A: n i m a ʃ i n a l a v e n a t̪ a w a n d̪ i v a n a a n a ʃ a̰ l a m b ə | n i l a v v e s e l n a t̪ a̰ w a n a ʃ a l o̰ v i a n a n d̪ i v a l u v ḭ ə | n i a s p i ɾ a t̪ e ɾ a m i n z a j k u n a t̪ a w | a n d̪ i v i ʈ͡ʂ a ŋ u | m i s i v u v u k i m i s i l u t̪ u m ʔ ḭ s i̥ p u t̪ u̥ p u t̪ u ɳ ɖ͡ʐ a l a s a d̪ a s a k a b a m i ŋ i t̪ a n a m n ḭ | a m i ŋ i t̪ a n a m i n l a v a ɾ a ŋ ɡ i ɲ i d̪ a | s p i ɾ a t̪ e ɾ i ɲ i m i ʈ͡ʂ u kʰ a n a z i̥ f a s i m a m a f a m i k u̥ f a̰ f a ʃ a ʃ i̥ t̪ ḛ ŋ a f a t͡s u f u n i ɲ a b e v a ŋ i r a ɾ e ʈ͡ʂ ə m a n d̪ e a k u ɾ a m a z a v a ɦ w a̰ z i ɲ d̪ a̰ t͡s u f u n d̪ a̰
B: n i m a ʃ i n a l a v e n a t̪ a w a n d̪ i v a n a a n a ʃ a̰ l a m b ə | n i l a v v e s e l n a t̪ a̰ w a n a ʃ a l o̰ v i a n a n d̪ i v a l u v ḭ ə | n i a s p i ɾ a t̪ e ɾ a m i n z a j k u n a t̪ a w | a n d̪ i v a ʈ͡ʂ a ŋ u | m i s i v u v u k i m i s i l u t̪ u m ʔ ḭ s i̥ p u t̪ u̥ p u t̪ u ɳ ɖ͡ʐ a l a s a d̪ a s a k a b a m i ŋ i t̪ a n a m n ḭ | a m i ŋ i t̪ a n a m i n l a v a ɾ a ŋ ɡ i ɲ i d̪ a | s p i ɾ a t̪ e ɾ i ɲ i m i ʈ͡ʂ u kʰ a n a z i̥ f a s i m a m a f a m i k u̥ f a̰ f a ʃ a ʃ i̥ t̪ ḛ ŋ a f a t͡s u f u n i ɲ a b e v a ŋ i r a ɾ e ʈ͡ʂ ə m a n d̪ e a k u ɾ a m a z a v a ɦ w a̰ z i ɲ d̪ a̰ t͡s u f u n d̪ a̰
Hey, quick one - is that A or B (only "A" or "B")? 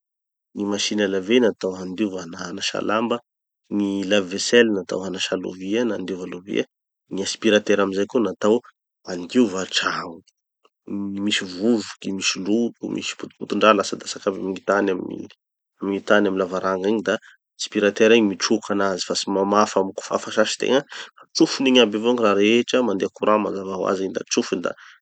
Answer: B